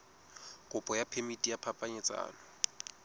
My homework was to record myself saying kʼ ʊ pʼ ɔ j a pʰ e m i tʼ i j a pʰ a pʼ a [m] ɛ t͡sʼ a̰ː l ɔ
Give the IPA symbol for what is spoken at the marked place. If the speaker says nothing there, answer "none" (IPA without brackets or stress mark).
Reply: ɲ